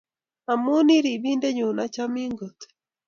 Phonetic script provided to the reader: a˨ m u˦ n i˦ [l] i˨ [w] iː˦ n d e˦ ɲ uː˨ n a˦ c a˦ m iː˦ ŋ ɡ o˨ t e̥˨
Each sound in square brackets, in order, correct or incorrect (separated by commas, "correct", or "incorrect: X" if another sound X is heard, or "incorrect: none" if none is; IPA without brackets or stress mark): incorrect: ɾ, incorrect: β